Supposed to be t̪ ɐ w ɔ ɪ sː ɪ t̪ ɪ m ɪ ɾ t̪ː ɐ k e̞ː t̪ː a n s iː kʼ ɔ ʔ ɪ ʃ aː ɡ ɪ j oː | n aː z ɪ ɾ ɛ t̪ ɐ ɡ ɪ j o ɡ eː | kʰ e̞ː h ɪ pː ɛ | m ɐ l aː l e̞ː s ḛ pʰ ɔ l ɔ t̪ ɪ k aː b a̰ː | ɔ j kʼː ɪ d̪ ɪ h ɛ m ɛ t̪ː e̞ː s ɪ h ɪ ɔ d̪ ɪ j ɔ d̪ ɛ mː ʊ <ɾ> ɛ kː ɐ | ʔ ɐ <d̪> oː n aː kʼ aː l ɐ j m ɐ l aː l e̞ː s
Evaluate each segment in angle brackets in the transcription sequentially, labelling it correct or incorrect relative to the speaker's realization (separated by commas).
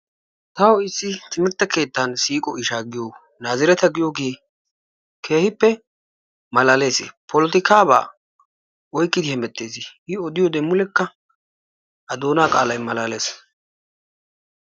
incorrect, correct